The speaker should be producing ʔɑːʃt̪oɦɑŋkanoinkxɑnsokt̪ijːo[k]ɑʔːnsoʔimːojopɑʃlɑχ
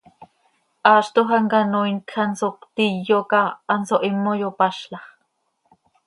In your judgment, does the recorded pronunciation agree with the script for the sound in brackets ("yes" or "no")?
yes